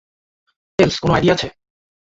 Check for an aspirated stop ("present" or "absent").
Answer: present